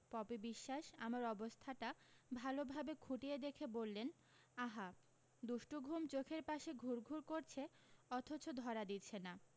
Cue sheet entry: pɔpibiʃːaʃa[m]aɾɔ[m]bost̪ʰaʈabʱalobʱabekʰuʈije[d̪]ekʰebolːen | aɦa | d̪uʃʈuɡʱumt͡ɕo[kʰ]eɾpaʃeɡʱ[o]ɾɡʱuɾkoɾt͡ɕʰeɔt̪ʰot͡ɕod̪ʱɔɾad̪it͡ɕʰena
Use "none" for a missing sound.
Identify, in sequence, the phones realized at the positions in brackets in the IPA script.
m, none, d̪, kʰ, u

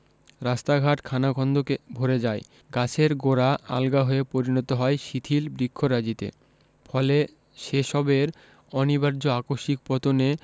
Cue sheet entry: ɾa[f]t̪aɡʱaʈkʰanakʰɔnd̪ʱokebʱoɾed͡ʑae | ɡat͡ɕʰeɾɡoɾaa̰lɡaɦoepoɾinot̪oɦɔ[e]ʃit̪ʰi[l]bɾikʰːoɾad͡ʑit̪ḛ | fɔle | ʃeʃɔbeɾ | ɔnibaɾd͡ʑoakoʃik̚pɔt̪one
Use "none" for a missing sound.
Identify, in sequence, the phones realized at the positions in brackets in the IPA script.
s, e, l

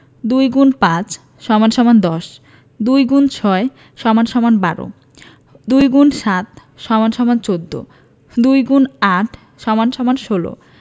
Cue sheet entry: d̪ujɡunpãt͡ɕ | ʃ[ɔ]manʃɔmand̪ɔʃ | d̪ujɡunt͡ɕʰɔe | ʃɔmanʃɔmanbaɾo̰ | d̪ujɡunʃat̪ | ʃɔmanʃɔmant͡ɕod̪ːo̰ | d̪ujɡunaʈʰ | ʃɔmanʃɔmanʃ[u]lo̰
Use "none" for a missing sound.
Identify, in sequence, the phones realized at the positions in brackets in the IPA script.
ɔ, o

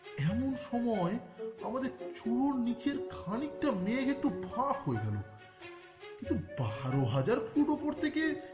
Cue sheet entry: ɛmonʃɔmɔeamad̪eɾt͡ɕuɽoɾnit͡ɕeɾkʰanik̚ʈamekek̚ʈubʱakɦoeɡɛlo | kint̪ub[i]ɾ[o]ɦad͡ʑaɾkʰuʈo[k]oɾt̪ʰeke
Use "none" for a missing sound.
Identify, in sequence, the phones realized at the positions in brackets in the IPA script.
a, o, p

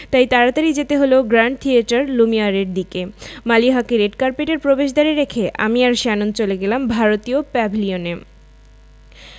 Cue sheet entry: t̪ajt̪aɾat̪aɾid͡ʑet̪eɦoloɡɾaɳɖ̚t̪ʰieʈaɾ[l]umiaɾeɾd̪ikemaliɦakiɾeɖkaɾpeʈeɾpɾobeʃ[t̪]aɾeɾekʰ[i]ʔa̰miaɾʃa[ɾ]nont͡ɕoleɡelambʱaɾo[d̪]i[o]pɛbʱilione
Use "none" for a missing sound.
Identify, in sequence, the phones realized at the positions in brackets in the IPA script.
l, d̪, e, none, t̪, o

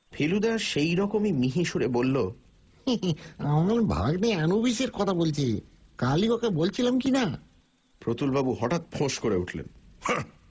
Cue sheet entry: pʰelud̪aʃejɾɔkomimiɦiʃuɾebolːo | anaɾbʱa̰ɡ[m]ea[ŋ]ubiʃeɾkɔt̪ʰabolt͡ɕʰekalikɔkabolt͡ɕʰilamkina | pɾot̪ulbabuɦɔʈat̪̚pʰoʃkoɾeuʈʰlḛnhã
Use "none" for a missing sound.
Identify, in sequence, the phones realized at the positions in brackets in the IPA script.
n, n

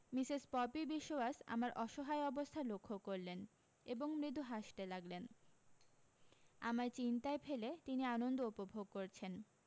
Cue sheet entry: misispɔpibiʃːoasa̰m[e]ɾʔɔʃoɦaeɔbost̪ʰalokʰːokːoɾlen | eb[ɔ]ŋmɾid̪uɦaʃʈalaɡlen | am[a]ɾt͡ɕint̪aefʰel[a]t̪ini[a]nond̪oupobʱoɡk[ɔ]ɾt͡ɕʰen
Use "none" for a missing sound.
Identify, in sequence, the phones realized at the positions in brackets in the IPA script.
a, o, a, e, a, o

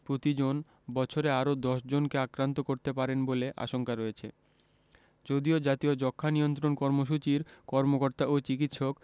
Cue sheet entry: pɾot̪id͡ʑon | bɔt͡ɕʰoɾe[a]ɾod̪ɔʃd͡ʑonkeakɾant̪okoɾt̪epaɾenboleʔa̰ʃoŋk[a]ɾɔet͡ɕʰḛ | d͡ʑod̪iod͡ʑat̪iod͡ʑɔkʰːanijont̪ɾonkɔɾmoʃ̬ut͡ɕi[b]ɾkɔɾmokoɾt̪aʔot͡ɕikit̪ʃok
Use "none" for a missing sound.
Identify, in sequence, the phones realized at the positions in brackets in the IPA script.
a, a, none

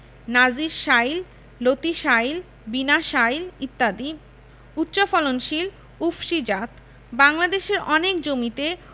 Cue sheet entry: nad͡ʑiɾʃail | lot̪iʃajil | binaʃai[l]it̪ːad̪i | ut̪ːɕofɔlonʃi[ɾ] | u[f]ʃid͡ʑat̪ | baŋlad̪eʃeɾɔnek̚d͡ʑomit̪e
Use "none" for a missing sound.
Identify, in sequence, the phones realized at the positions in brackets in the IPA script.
l, l, f

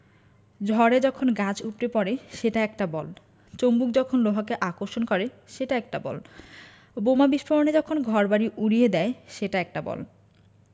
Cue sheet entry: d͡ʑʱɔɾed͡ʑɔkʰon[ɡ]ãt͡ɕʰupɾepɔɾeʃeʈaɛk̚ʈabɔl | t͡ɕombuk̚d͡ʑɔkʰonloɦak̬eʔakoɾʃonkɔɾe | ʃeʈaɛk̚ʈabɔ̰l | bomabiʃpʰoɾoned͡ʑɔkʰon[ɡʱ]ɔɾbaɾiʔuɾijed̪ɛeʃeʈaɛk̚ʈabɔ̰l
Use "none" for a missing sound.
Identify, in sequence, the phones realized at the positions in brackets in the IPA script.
ɡ, ɡʱ

